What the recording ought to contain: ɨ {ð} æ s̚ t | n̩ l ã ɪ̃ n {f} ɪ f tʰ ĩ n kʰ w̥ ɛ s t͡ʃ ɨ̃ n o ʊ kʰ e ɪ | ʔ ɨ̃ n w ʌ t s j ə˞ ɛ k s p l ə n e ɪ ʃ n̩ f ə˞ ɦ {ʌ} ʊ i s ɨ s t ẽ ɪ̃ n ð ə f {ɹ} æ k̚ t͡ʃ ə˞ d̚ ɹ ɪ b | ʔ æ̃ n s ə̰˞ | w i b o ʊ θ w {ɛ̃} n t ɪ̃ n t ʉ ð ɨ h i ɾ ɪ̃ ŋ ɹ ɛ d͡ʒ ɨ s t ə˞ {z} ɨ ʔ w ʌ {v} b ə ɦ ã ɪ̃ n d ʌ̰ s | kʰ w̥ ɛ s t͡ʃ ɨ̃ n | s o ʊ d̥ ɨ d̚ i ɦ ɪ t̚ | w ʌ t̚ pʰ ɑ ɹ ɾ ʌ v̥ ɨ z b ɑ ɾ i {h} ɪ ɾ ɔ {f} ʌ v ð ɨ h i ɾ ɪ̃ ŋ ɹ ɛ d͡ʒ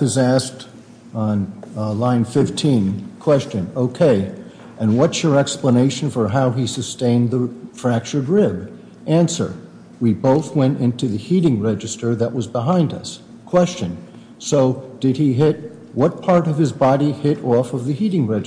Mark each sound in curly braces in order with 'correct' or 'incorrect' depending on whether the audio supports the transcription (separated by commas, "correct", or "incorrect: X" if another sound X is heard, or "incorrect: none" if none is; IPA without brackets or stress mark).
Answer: incorrect: z, correct, incorrect: a, correct, correct, incorrect: ð, incorrect: z, correct, correct